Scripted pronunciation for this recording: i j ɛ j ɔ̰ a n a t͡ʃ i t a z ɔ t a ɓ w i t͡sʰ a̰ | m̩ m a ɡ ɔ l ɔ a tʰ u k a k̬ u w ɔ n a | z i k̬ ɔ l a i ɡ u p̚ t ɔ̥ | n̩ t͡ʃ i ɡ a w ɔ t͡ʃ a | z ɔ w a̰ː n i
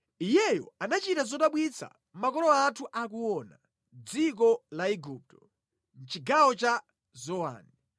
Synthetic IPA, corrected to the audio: i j ɛ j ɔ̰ a n a t͡ʃ i t a z ɔ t a ɓ w i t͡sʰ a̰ | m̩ m a k ɔ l ɔ a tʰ u ʔ a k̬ u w ɔ n a | d͡z i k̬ ɔ l a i ɡ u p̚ t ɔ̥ | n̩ t͡ʃ i ɡ a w ɔ t͡ʃ a | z ɔ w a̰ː n i